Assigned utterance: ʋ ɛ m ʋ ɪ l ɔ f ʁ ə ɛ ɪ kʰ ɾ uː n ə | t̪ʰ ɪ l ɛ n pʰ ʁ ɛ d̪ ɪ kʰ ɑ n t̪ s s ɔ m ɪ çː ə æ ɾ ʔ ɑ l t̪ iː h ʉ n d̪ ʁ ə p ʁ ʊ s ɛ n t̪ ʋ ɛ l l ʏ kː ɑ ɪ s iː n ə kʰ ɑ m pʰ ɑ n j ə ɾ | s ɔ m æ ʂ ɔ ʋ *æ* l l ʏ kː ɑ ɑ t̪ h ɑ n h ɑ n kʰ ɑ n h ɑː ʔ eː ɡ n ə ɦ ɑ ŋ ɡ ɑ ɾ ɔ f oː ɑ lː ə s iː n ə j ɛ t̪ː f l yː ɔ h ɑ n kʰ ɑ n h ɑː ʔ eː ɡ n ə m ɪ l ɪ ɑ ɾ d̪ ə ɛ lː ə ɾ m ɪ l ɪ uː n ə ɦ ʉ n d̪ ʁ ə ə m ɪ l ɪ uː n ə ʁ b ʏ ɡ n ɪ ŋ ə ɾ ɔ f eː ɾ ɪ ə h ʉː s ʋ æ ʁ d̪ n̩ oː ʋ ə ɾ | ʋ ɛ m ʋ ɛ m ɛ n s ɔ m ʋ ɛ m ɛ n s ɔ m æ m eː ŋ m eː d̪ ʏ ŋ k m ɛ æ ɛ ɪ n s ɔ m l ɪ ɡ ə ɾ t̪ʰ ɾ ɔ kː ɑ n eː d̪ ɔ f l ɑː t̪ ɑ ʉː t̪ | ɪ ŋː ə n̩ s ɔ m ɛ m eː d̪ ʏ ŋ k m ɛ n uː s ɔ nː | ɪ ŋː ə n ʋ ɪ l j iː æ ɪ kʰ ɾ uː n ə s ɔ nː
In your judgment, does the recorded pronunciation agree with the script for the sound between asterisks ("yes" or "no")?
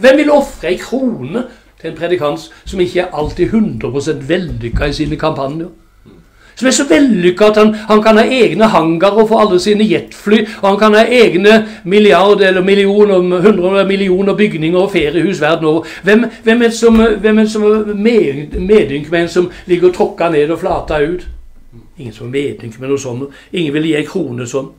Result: no